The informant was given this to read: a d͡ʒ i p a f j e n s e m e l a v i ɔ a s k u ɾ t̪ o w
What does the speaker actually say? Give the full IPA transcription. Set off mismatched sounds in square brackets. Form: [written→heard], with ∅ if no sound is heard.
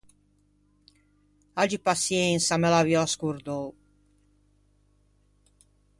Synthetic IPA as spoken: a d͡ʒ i p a [f→s] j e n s [e→a] m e l a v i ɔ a s k u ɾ [t̪→d̪] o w